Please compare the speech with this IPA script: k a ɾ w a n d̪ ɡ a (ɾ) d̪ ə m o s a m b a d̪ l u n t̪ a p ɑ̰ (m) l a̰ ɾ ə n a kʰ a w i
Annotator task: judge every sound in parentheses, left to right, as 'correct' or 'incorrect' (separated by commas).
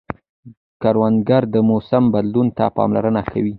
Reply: correct, correct